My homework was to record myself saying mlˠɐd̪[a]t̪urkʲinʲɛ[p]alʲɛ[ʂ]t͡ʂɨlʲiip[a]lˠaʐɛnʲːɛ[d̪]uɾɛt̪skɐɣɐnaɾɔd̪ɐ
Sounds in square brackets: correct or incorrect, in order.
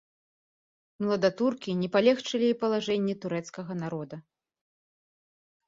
correct, correct, incorrect, incorrect, incorrect

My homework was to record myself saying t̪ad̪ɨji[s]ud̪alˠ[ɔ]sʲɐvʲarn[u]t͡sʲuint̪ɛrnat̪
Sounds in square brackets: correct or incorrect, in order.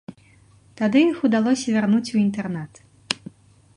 incorrect, correct, correct

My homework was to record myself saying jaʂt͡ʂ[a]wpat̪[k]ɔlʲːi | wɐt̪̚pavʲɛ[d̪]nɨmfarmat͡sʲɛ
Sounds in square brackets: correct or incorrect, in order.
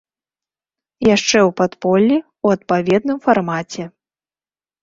incorrect, incorrect, correct

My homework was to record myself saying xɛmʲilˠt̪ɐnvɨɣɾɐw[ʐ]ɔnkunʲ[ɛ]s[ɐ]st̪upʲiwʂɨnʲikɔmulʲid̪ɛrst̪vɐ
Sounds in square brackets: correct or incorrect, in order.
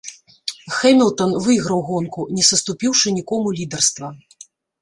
incorrect, correct, correct

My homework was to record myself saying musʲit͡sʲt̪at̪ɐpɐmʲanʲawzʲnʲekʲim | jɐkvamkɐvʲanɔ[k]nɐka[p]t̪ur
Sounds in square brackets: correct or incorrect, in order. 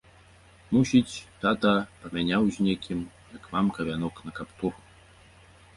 correct, correct

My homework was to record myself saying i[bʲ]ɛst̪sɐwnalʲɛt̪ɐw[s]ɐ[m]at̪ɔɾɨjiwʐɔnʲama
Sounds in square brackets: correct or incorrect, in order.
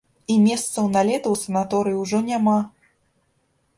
incorrect, correct, incorrect

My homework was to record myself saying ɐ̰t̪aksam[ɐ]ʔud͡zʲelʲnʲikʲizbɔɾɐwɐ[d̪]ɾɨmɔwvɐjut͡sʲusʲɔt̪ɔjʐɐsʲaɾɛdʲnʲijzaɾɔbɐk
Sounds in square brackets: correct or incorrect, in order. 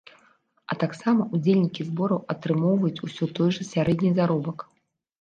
correct, incorrect

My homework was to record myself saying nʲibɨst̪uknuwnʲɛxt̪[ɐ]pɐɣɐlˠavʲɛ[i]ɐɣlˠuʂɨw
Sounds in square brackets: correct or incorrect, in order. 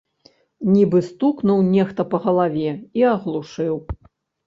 correct, correct

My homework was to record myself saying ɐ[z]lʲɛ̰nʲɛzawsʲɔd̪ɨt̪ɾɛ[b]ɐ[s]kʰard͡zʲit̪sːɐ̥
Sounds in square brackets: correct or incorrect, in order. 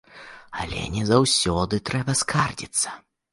incorrect, correct, correct

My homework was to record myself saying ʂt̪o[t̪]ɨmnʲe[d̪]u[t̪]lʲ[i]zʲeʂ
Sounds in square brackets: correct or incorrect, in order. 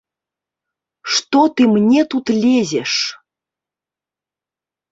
correct, incorrect, correct, incorrect

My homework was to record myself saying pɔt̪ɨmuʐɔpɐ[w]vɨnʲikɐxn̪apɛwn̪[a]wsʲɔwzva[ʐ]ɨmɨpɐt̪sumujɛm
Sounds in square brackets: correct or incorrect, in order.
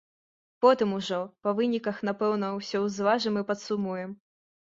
incorrect, incorrect, correct

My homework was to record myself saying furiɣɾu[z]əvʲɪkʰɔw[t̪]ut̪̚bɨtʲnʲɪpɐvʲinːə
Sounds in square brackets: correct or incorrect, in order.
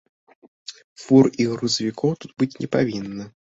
correct, correct

